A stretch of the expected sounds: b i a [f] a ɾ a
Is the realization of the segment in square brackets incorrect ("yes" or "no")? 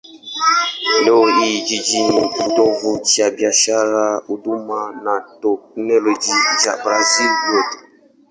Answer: yes